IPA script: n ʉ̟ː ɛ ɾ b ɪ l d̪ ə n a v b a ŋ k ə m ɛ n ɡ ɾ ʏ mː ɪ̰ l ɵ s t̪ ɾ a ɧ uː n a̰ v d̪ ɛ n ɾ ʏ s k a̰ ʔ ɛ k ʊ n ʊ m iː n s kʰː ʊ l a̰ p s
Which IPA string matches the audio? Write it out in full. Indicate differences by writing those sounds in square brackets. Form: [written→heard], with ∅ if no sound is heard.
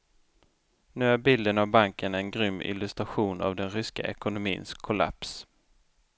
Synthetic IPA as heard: n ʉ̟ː [ɛ→æ] ɾ b ɪ l d̪ ə n a v b a ŋ k ə [m→n] ɛ n ɡ ɾ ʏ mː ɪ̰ l ɵ s t̪ ɾ a ɧ uː n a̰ v d̪ ɛ n ɾ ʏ s k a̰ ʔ ɛ k ʊ n ʊ m iː n s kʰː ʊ l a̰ p s